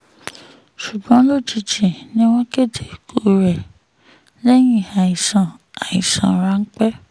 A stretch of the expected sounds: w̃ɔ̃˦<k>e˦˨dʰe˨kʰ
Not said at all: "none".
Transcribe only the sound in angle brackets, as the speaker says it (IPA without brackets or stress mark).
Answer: k